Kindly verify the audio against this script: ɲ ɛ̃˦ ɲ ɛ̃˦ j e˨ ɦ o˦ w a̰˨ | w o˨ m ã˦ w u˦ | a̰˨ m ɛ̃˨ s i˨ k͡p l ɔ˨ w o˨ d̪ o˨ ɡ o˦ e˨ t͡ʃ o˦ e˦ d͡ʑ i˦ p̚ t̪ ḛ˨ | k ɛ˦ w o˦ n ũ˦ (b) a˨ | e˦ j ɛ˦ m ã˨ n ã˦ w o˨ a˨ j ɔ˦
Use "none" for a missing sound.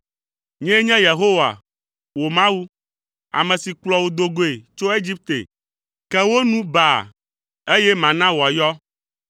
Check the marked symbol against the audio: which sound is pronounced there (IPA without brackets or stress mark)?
b